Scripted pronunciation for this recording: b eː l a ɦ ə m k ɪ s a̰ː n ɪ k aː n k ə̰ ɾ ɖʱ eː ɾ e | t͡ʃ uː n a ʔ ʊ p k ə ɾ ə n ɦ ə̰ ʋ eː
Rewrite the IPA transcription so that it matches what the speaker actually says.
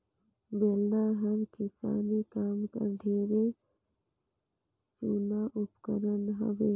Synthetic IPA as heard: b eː l a ɦ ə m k ɪ s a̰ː n i k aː m k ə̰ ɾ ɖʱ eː ɾ e | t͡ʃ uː n a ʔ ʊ p k ə ɾ ə n ɦ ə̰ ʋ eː